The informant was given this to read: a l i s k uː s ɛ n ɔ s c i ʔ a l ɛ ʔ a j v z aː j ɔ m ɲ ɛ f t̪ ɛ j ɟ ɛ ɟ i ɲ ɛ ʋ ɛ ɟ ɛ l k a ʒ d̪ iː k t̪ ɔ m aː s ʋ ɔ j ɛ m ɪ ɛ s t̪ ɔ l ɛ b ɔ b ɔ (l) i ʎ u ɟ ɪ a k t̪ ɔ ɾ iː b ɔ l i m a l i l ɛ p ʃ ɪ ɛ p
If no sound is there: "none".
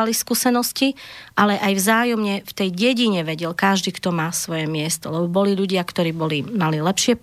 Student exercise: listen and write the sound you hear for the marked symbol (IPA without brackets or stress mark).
l